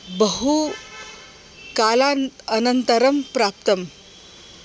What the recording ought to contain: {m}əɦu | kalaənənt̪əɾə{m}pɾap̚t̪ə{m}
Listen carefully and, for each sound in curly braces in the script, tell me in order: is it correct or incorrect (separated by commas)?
incorrect, correct, correct